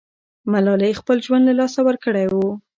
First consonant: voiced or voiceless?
voiced